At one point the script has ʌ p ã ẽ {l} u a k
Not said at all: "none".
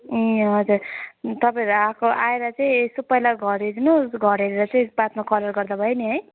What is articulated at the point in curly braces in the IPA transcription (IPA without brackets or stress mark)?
ɾ